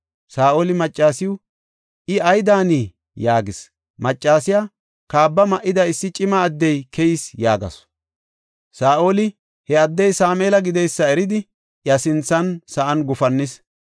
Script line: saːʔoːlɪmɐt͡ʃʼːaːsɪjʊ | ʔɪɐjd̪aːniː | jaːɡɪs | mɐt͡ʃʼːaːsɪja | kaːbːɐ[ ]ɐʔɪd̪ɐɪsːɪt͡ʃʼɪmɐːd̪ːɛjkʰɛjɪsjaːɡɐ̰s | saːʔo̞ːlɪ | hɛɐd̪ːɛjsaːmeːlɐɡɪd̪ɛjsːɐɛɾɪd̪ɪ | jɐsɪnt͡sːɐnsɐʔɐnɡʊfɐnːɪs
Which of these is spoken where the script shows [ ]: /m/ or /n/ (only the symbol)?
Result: m